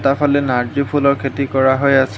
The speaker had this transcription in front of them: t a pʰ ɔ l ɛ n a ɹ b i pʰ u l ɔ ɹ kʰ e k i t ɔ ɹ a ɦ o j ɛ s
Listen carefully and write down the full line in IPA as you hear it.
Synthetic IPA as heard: t a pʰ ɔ l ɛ n a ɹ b i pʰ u l ɔ ɹ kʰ e t i k ɔ ɹ a ɦ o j a s